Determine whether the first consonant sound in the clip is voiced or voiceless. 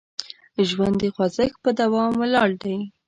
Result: voiced